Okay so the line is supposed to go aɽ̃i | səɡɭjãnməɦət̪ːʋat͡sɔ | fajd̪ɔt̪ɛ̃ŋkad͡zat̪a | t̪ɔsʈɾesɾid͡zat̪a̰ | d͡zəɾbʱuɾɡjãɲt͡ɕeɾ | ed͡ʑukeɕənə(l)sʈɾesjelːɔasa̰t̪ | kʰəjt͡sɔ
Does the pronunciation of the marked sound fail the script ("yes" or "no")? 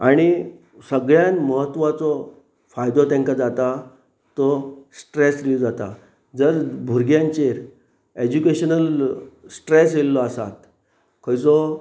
no